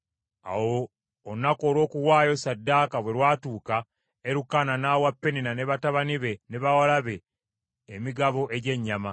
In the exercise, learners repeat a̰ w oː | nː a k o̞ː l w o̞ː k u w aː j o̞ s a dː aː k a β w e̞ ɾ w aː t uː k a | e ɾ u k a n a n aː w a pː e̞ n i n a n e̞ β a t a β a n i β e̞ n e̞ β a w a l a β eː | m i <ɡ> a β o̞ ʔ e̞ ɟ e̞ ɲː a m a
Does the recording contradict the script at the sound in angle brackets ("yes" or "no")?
no